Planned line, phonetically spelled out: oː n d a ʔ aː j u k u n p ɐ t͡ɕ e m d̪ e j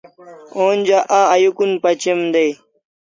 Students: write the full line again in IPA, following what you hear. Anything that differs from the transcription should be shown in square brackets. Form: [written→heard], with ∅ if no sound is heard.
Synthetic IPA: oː n [d→d͡ʑ] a ʔ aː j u k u n p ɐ t͡ɕ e m d̪ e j